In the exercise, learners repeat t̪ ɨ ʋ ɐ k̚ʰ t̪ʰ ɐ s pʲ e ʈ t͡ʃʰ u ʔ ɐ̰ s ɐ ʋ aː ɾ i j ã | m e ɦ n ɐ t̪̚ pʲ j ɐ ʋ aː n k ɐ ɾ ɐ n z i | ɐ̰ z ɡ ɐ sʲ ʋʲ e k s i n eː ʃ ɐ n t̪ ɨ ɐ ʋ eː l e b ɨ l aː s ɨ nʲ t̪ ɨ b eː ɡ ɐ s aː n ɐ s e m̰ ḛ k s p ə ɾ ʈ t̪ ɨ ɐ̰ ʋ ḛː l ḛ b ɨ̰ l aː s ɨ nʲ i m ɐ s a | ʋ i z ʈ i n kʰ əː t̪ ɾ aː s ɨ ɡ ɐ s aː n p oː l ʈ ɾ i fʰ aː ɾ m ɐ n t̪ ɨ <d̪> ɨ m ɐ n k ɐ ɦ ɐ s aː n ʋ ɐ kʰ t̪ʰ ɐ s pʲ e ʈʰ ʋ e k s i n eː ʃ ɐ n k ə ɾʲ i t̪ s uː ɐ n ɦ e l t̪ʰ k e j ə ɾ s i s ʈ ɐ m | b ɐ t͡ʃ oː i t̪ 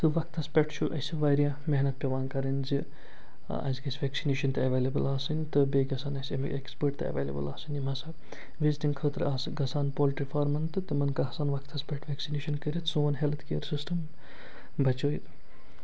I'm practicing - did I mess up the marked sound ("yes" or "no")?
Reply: yes